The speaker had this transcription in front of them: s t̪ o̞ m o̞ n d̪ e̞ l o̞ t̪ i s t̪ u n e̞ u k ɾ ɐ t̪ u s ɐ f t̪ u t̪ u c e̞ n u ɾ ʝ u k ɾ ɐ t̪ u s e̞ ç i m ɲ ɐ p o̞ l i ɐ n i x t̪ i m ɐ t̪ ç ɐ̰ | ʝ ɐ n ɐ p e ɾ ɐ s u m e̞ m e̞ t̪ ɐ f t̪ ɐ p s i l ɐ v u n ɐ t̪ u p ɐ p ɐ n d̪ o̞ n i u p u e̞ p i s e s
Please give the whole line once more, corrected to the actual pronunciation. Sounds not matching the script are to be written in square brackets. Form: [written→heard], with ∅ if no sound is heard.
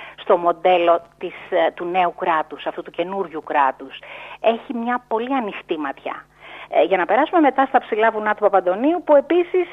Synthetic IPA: s t̪ o̞ m o̞ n d̪ e̞ l o̞ t̪ i s t̪ u n e̞ u k ɾ ɐ t̪ u s ɐ f t̪ u t̪ u c e̞ n u ɾ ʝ u k ɾ ɐ t̪ u s e̞ ç i m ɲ ɐ p o̞ l i ɐ n i x t̪ i m ɐ t̪ ç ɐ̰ | ʝ ɐ n ɐ p e ɾ ɐ s u m e̞ m e̞ t̪ ɐ [f→s] t̪ ɐ p s i l ɐ v u n ɐ t̪ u p ɐ p ɐ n d̪ o̞ n i u p u e̞ p i s [e→i] s